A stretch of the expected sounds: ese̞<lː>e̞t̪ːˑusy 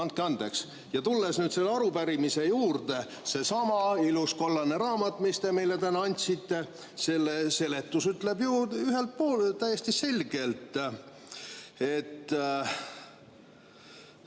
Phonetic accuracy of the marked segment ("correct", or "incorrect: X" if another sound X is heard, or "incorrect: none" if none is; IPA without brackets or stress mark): incorrect: l